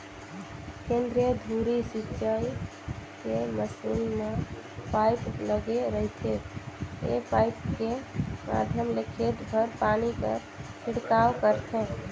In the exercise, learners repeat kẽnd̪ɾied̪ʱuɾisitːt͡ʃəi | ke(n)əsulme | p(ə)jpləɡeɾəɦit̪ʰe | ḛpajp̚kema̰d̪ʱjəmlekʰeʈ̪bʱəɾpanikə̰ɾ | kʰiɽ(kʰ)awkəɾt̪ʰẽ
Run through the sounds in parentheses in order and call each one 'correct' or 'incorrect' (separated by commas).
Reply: incorrect, incorrect, incorrect